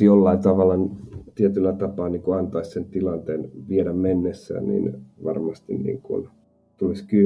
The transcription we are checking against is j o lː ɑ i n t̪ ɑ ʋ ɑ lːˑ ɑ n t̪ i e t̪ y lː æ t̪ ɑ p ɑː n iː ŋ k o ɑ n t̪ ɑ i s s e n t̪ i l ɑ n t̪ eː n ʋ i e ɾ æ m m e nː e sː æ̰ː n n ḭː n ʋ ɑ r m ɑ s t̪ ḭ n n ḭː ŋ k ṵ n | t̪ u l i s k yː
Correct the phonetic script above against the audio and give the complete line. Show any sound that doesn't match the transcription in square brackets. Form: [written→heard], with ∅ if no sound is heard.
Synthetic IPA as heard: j o lː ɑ i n t̪ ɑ ʋ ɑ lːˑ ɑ n t̪ i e t̪ y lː æ t̪ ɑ p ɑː n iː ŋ k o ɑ n t̪ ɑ i s s e n t̪ i l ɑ n t̪ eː n ʋ i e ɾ æ m m e nː e sː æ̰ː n n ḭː n ʋ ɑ r m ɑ s t̪ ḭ n n ḭː ŋ k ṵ n | t̪ u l i s k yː